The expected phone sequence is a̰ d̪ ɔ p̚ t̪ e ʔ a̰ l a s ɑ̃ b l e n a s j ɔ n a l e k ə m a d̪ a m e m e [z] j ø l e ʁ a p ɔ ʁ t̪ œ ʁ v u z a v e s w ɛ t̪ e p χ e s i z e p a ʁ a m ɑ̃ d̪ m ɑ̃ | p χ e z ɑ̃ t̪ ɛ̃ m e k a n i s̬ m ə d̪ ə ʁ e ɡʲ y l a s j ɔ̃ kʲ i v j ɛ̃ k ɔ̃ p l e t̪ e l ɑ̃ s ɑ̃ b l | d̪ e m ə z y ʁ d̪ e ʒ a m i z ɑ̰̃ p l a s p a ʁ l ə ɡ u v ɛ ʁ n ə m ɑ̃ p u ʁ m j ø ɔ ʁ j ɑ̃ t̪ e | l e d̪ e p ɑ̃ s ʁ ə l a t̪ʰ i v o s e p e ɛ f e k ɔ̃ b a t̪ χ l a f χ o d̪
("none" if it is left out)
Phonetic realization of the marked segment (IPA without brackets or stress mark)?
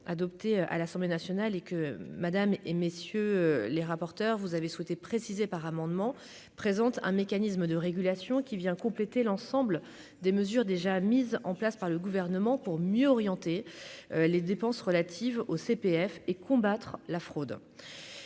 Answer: s